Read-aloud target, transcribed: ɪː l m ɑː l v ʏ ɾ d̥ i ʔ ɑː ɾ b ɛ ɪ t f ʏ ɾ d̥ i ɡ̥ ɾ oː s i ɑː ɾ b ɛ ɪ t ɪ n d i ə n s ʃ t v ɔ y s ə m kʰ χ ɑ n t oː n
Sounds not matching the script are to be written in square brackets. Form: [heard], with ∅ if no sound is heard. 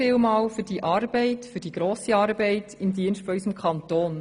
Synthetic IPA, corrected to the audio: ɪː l m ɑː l [f] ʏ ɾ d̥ i ʔ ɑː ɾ b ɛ ɪ t f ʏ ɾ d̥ i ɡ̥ ɾ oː s i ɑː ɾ b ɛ ɪ t ɪ [m] d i ə n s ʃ t [f] ɔ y s ə m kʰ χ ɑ n t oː n

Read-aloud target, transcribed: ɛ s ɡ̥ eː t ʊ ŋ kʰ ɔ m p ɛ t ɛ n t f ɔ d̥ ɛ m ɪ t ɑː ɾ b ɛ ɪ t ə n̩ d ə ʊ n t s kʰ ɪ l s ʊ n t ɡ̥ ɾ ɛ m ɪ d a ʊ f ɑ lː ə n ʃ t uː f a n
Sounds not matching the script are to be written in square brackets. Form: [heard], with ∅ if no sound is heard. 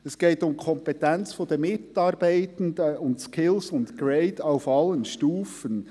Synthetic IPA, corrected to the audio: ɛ s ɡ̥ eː t ʊ [m] kʰ ɔ m p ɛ t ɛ n [t͡s] f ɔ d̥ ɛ m ɪ t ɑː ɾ b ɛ ɪ t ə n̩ d ə ʊ n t s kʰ ɪ l s ʊ n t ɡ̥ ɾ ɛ [∅] ɪ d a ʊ f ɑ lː ə n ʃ t uː f [ə] n

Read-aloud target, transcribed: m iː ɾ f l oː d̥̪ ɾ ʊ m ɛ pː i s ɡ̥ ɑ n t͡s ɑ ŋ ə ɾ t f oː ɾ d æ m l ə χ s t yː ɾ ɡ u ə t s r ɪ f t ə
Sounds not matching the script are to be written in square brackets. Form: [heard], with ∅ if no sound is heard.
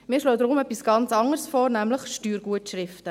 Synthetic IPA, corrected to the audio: m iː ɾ [ʃ] l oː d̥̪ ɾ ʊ m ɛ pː i s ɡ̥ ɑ n t͡s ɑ ŋ ə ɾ [s] f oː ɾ [n] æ m l ə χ [ʃ] t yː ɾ ɡ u ə t [ʃ] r ɪ f t ə

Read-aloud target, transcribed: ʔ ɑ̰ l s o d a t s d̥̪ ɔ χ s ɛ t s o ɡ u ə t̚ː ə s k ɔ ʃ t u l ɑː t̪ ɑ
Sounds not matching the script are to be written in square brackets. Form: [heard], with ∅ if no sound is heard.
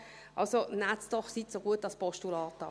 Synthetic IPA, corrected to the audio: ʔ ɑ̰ l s o [n] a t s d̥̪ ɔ χ s [i] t s o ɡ u ə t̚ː [ɑ] s [p] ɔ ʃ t u l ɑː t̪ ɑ

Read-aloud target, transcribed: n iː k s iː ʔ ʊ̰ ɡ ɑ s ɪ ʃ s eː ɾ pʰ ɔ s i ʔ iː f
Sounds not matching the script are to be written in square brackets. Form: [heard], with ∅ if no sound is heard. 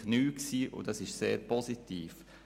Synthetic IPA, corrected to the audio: n [yː] k s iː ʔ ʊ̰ [d] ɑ s ɪ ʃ s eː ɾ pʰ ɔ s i [t] iː f

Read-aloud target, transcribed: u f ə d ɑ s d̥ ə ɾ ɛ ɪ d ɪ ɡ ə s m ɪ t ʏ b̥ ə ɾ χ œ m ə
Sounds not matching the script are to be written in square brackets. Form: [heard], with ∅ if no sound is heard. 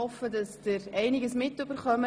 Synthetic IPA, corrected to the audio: [ɔ] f ə d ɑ s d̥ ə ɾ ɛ ɪ [n] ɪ ɡ ə s m ɪ t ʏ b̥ ə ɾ χ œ m ə

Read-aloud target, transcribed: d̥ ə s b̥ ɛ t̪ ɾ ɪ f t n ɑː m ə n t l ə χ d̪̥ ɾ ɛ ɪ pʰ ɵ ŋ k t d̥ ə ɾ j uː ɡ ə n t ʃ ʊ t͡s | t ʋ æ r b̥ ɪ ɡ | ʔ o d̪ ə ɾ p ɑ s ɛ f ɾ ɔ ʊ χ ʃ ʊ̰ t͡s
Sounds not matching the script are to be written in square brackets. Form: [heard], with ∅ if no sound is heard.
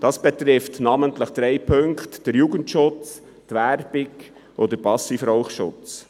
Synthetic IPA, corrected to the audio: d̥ [ɑ] s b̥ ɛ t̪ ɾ ɪ f t n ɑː m ə n t l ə χ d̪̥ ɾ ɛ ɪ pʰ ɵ ŋ k t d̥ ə ɾ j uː ɡ ə n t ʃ ʊ t͡s | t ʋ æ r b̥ ɪ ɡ | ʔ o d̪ ə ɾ p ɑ s [i] f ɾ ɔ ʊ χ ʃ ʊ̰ t͡s

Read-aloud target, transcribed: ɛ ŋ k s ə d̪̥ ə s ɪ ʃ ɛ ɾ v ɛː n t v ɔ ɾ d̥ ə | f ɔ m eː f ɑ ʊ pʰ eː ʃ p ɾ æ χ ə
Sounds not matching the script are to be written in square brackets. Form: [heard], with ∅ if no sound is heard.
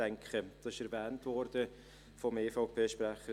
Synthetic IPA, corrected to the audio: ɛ ŋ k [χ] ə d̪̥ [ɑ] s ɪ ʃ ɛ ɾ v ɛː n t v ɔ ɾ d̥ ə | f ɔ m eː f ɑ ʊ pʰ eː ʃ p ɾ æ χ ə

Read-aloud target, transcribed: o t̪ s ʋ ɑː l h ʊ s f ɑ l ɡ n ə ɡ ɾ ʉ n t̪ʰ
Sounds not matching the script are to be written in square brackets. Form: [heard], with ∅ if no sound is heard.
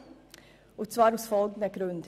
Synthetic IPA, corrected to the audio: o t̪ s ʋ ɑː [ɾ] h ʊ s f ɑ l ɡ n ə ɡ ɾ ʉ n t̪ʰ

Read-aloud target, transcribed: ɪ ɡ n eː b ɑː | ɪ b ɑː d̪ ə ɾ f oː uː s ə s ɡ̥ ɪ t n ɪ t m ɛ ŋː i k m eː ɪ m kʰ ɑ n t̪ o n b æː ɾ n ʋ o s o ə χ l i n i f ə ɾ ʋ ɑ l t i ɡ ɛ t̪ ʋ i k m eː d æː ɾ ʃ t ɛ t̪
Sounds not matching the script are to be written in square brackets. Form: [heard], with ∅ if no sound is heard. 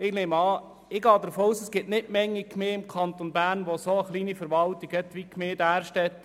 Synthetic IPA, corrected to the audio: ɪ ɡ n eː [m] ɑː | ɪ [ɡ] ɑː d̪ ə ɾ f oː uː s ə s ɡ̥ ɪ t n ɪ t m ɛ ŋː i k m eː ɪ m kʰ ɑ n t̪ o n b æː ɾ n ʋ o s o ə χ l [iː] n i f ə ɾ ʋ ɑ l t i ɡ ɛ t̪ ʋ i k m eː d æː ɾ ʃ t ɛ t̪

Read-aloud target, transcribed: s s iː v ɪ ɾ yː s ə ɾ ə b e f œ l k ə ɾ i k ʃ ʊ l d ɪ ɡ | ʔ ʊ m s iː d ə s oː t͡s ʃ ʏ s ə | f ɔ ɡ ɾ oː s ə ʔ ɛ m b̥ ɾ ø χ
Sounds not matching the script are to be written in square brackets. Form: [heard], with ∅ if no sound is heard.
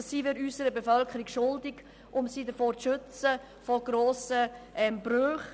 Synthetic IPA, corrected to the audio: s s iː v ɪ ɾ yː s ə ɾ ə b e f œ l k ə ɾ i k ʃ ʊ l d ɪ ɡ | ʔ ʊ m s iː d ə [f] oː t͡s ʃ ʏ [t͡s] ə | f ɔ ɡ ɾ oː s ə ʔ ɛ m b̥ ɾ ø χ

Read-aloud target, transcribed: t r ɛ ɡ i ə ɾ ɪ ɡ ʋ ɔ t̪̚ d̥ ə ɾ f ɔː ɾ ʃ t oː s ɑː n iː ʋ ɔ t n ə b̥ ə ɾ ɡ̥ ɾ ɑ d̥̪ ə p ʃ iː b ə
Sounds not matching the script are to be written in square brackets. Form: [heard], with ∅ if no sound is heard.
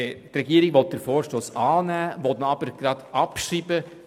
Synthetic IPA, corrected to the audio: t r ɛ ɡ i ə ɾ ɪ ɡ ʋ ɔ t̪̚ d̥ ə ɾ f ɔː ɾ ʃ t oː s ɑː n [æː] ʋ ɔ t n [ɑ] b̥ ə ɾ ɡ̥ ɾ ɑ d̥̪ [ɑ] p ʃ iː b ə

